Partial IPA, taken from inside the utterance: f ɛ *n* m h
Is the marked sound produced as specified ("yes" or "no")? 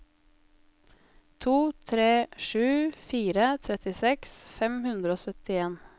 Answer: no